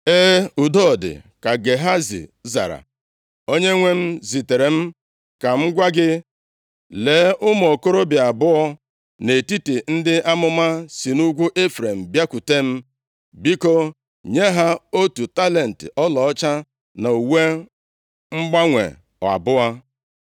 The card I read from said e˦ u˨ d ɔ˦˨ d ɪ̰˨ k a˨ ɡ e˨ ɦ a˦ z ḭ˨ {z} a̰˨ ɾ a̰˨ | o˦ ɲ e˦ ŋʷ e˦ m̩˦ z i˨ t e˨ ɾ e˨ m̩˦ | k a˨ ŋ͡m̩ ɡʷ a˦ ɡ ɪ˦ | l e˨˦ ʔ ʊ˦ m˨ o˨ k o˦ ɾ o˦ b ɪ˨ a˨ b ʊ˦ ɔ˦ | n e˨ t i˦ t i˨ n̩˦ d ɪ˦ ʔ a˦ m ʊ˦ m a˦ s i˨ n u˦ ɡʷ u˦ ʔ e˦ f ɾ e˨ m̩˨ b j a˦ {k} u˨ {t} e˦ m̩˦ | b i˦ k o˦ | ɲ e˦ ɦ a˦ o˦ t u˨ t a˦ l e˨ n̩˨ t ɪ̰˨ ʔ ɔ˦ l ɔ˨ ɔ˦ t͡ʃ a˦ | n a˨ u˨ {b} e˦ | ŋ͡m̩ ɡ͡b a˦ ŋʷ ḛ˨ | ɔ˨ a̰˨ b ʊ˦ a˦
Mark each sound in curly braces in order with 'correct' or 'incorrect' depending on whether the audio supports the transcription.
correct, correct, correct, incorrect: w

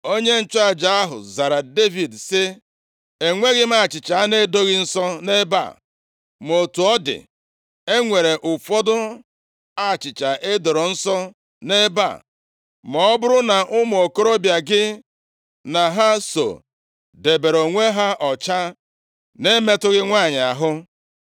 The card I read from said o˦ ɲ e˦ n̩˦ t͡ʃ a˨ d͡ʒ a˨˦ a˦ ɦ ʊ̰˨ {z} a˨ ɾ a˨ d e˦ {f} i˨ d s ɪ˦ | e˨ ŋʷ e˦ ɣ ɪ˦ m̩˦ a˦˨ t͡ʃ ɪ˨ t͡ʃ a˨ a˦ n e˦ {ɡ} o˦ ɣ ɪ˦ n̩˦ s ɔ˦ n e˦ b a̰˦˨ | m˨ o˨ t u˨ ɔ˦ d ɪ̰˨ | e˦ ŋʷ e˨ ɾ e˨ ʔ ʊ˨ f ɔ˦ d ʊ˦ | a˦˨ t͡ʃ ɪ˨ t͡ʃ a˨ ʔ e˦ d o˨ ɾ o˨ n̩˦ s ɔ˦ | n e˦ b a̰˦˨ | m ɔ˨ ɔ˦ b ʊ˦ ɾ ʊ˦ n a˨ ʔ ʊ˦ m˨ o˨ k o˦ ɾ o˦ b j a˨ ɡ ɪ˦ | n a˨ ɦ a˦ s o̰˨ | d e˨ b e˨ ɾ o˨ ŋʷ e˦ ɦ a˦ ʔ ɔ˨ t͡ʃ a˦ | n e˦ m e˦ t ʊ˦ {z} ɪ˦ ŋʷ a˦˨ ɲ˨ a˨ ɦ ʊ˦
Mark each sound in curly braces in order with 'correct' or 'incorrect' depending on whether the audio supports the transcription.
correct, incorrect: v, incorrect: d, incorrect: ɣ

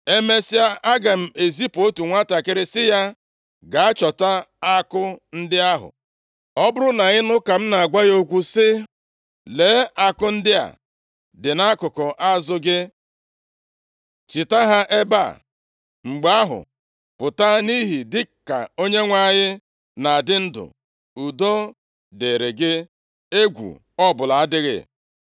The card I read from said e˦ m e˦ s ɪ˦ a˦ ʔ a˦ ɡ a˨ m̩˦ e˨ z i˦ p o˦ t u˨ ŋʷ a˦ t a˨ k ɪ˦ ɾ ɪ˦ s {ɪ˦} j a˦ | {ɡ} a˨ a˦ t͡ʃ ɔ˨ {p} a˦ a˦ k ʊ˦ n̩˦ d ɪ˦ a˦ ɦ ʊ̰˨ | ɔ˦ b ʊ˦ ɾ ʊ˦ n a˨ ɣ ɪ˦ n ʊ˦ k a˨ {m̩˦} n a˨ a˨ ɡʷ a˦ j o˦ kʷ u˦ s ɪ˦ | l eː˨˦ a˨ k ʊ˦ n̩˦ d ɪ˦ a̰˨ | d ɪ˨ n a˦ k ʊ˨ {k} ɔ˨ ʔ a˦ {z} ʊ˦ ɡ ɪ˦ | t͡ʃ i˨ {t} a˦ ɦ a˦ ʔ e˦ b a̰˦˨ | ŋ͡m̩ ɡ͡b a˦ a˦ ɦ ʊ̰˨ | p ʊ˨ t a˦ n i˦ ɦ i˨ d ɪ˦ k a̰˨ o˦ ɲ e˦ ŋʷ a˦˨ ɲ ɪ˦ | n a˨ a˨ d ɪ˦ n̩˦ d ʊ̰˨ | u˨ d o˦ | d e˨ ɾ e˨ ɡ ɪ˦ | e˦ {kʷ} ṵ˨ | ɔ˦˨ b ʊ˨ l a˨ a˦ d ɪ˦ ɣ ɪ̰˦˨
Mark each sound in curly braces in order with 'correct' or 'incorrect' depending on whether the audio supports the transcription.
correct, correct, incorrect: t, correct, correct, correct, correct, incorrect: ɡʷ

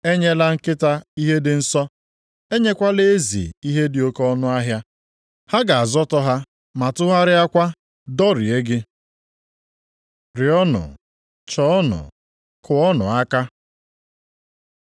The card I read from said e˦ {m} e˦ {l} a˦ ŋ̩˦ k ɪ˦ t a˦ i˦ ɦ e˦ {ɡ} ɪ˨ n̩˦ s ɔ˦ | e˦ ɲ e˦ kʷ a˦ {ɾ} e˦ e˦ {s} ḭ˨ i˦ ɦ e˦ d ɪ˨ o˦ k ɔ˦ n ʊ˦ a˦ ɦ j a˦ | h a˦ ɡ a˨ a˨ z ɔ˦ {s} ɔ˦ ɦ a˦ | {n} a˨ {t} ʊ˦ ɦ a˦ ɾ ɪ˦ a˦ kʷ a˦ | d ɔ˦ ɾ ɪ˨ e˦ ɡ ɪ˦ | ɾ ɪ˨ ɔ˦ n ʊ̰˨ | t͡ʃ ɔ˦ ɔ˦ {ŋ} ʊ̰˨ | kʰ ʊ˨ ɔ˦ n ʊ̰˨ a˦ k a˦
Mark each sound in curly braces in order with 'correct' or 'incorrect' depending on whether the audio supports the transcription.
incorrect: ɲ, correct, incorrect: d, incorrect: l, incorrect: z, incorrect: t, incorrect: m, correct, incorrect: n

